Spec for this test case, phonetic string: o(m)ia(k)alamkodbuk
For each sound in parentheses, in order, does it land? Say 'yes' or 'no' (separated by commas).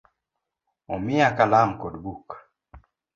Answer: yes, yes